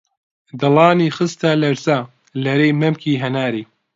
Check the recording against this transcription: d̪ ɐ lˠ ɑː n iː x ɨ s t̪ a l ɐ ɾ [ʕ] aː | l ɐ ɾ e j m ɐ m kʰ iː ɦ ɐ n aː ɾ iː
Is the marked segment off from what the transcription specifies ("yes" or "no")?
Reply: yes